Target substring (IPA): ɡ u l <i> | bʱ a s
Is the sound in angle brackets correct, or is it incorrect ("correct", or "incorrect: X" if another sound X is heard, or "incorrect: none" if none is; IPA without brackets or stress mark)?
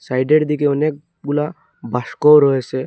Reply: incorrect: a